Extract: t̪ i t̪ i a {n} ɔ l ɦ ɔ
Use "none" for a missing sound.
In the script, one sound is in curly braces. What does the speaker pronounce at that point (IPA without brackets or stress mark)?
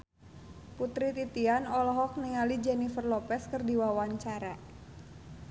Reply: n